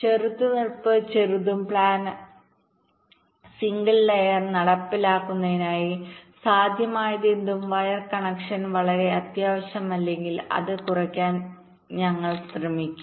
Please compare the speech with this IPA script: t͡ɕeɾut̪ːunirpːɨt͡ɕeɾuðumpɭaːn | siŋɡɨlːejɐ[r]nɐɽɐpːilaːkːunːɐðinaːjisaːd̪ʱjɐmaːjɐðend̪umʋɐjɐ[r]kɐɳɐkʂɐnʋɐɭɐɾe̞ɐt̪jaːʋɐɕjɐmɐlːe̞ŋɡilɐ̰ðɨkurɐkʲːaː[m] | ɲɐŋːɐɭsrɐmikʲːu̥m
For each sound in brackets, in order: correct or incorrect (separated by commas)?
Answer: correct, correct, incorrect